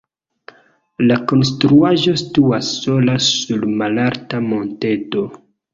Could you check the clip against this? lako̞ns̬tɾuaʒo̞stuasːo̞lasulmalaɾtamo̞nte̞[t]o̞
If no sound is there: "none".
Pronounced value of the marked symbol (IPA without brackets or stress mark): t